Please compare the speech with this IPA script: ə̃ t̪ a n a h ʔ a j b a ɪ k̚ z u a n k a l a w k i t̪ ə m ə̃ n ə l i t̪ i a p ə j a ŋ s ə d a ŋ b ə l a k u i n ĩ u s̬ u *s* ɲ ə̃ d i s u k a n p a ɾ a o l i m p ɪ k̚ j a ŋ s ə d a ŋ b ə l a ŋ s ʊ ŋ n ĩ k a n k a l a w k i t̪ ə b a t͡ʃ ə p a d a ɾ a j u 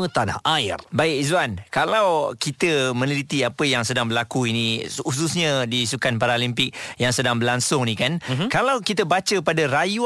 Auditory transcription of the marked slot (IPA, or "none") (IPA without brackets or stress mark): s